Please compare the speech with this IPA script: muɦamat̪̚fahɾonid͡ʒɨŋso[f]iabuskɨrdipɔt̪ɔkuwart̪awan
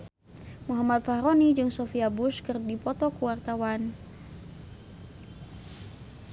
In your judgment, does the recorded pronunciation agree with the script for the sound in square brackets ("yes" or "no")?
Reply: yes